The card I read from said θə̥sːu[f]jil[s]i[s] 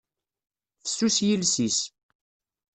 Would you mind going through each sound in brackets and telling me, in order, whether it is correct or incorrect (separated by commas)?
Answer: incorrect, correct, correct